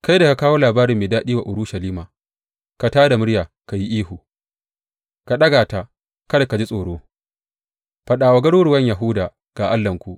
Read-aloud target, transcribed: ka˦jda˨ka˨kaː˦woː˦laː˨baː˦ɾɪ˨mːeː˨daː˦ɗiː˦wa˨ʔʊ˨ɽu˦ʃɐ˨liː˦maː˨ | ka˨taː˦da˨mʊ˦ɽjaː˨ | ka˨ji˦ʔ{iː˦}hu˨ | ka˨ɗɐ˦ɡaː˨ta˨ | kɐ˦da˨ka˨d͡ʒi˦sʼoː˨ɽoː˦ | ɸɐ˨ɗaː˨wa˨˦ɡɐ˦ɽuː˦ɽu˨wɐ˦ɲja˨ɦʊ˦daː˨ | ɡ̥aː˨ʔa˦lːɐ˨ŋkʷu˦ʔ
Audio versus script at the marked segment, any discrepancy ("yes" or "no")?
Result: no